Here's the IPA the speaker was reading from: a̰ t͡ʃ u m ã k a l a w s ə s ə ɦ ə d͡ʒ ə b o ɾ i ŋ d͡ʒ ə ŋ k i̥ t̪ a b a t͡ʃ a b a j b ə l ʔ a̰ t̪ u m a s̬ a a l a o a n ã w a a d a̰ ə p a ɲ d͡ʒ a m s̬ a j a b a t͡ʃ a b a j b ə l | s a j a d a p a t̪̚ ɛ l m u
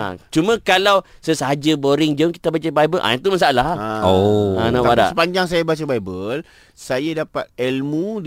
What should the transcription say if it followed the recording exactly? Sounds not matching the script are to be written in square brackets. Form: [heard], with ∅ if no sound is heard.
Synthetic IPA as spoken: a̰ t͡ʃ u m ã k a l a w s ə s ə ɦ [a] d͡ʒ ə b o ɾ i ŋ d͡ʒ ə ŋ k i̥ t̪ a b a t͡ʃ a b a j b ə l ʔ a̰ t̪ u m a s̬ a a l a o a n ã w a a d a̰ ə p a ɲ d͡ʒ a [ŋ] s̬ a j a b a t͡ʃ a b a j b ə l | s a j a d a p a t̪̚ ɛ l m u